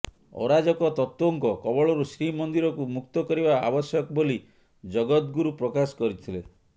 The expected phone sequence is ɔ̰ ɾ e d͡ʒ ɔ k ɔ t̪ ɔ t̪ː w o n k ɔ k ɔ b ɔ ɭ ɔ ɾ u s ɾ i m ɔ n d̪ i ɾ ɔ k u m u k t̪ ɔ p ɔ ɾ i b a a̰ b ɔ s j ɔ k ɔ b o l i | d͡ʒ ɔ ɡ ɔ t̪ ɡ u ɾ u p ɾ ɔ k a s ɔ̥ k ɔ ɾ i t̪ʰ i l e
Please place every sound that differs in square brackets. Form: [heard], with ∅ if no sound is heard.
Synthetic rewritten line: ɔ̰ ɾ [a] d͡ʒ ɔ k ɔ t̪ ɔ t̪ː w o [ŋ] k ɔ k ɔ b ɔ ɭ ɔ ɾ u s ɾ i m ɔ n d̪ i ɾ ɔ k u m u k t̪ ɔ [k] ɔ ɾ i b a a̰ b ɔ s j ɔ k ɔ b o l i | d͡ʒ ɔ ɡ ɔ t̪ ɡ u ɾ u p ɾ ɔ k a s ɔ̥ k ɔ ɾ i t̪ʰ i l e